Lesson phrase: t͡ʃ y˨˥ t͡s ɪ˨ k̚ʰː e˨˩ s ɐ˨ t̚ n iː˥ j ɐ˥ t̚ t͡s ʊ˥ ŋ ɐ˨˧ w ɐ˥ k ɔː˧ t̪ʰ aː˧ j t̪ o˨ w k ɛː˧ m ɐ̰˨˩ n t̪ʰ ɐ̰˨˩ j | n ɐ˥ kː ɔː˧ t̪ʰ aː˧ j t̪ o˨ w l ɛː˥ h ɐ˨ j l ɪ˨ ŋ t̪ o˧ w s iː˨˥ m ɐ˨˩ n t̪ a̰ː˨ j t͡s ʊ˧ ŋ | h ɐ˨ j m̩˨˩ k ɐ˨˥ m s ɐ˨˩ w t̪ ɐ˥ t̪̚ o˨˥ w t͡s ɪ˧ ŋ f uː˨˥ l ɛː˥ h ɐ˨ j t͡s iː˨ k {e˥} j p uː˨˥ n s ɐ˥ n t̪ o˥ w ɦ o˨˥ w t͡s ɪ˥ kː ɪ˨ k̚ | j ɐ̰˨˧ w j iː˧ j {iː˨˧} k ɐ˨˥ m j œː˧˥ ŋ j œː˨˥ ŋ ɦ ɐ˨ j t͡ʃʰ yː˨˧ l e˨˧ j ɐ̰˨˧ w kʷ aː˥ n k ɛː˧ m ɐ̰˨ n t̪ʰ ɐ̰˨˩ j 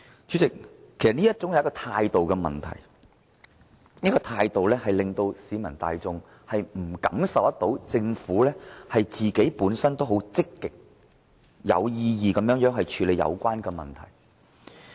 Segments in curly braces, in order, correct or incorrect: incorrect: e˨˥, correct

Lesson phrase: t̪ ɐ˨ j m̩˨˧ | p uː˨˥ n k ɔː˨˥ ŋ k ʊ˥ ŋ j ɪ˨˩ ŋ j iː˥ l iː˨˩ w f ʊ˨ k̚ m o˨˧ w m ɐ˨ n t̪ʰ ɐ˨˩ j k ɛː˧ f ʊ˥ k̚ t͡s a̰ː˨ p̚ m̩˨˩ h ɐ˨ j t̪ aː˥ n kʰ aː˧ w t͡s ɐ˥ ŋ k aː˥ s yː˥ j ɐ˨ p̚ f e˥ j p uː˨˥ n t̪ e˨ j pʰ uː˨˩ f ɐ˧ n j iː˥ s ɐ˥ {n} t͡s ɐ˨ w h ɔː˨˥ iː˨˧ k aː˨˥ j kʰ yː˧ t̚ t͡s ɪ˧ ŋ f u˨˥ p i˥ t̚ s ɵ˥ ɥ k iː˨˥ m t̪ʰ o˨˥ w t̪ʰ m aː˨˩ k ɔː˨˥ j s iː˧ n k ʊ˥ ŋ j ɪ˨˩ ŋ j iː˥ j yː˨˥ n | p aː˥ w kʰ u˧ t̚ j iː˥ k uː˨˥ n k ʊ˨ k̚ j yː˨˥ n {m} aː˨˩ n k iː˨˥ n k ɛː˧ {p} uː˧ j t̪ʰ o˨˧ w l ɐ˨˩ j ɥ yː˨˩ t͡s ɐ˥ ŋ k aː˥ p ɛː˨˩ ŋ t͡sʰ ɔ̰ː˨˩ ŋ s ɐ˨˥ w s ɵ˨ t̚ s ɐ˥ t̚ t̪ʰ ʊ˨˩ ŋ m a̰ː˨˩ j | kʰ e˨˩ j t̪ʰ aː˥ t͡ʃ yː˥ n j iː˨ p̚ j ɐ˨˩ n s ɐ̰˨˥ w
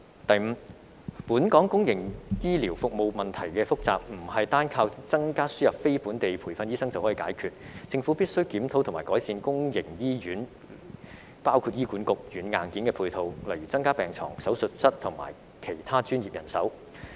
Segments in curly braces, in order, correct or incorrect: incorrect: ŋ, incorrect: ŋ, incorrect: pʰ

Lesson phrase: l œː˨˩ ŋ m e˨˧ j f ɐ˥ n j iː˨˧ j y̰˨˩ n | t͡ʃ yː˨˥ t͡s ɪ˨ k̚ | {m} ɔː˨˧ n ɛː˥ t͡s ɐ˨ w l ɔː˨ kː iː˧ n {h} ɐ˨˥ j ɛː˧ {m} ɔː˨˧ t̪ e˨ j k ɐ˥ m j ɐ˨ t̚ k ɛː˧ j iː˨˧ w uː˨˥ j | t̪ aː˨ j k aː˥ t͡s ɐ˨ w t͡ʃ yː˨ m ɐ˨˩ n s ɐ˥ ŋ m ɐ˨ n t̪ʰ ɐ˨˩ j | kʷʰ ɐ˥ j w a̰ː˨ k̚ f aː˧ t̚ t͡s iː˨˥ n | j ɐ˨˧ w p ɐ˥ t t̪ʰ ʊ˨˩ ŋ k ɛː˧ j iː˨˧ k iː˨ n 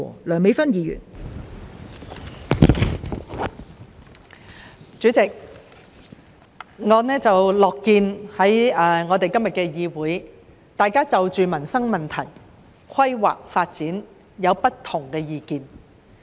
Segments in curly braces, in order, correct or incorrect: incorrect: ŋ, correct, incorrect: ŋ

